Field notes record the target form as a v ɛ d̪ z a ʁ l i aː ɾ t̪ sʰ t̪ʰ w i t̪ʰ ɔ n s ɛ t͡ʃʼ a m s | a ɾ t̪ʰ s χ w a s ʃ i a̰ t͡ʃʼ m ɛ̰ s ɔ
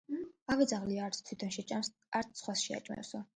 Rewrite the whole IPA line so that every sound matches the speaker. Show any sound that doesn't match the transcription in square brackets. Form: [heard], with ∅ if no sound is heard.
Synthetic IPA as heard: a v ɛ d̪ z a ʁ l i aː ɾ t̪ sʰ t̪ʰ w i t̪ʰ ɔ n [ʃ] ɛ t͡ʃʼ a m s | a ɾ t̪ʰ s χ w a s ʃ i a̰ t͡ʃʼ m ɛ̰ s ɔ